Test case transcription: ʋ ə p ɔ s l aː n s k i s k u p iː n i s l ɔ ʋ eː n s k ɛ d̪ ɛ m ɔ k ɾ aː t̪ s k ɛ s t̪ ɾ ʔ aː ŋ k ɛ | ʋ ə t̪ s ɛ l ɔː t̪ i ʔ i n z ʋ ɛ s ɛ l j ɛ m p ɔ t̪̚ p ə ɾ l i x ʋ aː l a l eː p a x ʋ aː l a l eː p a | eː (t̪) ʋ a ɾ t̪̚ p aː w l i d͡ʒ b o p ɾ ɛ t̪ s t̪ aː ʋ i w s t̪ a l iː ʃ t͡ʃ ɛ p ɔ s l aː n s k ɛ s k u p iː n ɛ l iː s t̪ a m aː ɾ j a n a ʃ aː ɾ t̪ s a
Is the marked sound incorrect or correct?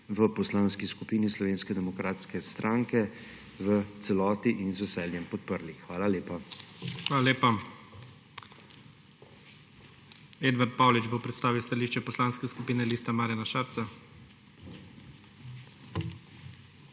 incorrect